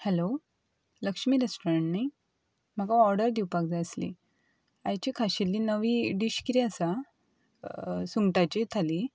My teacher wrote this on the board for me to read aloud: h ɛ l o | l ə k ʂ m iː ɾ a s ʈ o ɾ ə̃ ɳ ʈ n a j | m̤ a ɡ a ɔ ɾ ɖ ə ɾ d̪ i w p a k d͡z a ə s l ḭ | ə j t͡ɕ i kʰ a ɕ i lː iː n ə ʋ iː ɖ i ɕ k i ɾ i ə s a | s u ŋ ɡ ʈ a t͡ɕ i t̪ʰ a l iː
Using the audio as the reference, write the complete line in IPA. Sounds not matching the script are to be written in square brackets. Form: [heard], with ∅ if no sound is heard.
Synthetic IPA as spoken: h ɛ l o | l ə k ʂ m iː ɾ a s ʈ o ɾ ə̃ ɳ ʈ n a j | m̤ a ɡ a ɔ ɾ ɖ ə ɾ d̪ i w p a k d͡z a ə s l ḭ | [a] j t͡ɕ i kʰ a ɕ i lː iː n ə ʋ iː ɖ i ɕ k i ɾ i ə s a | s u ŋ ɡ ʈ a t͡ɕ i t̪ʰ a l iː